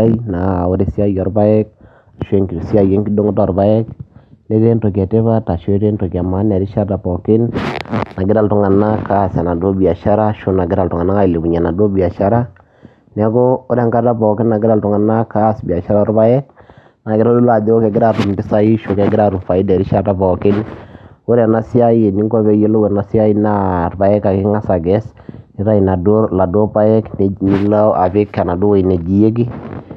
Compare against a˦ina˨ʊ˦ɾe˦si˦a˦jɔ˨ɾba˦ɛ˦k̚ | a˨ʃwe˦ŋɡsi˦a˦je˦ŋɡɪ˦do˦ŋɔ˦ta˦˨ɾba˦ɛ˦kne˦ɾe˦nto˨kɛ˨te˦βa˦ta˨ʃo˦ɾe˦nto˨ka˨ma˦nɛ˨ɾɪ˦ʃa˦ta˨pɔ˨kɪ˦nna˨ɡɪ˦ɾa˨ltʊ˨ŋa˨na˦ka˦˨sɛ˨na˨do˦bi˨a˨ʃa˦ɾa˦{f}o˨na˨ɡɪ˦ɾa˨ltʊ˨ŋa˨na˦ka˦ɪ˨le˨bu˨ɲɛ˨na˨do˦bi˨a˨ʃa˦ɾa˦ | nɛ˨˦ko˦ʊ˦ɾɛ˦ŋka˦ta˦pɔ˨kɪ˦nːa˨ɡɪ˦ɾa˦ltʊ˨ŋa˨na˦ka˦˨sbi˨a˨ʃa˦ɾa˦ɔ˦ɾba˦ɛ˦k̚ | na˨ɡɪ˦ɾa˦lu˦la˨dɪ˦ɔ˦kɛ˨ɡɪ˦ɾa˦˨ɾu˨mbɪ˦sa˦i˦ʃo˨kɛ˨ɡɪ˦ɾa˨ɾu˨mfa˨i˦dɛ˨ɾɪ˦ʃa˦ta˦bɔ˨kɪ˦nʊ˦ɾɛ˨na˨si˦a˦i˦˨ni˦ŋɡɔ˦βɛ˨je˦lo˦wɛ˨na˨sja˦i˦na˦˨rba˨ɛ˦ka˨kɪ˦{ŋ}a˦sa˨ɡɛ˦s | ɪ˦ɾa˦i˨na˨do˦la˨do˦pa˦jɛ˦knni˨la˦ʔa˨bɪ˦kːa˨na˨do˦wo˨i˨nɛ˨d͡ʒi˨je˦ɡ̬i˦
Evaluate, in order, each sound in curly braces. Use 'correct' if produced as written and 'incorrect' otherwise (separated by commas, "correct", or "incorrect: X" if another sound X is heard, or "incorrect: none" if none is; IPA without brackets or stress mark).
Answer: incorrect: ʃ, correct